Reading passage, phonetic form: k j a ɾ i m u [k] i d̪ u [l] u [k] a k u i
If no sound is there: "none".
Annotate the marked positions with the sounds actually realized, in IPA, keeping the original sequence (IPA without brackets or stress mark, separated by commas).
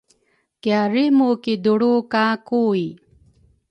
k, ɽ, k